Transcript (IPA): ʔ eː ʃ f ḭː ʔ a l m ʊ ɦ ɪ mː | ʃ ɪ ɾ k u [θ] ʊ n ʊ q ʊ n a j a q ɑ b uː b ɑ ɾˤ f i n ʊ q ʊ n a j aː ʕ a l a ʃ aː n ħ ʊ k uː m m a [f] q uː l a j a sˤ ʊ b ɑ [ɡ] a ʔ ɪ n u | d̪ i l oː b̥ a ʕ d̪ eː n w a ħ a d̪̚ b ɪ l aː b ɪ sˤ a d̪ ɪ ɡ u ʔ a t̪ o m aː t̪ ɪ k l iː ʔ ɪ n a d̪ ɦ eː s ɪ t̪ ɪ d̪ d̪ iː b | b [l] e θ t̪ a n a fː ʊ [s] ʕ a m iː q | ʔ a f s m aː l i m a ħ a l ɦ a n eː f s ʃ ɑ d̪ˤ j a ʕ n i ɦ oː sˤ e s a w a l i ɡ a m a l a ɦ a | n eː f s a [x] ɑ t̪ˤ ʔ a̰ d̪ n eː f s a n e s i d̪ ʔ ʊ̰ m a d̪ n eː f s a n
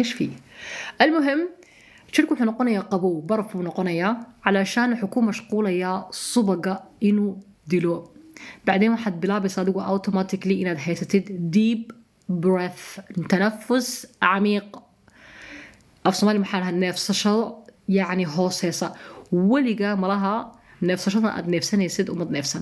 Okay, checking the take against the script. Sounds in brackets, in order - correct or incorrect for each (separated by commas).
incorrect, incorrect, correct, incorrect, correct, incorrect